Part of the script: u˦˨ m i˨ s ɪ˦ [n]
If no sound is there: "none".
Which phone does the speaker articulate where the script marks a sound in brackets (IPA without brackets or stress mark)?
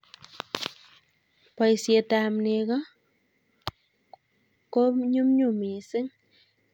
ŋ